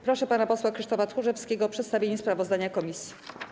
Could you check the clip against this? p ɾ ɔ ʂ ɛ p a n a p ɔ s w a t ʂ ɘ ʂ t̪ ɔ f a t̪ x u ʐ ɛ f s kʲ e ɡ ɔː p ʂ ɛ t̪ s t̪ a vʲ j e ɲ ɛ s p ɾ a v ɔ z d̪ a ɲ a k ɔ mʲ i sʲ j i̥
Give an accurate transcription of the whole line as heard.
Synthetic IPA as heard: p ɾ ɔ ʂ ɛ p a n a p ɔ s w a k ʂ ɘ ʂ t̪ ɔ f a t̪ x u ʐ ɛ f s kʲ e ɡ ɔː p ʂ ɛ t̪ s t̪ a vʲ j e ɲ ɛ s p ɾ a v ɔ z d̪ a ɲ a k ɔ mʲ i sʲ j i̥